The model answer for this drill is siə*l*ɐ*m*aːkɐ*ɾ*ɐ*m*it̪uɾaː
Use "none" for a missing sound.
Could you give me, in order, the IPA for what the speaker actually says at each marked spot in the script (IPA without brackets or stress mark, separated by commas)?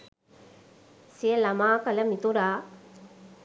l, m, l, m